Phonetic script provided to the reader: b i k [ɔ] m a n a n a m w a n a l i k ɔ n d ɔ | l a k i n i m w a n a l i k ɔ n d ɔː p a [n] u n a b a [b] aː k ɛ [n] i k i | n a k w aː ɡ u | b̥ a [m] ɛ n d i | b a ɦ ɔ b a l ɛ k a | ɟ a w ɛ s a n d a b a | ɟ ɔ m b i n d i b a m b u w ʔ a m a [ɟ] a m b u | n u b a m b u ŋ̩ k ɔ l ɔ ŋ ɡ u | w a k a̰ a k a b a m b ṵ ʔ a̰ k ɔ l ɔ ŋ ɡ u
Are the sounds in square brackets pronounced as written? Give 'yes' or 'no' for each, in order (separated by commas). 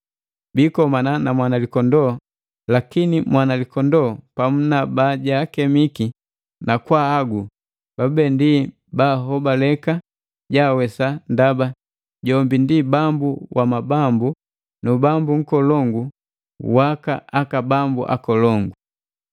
yes, no, no, no, no, no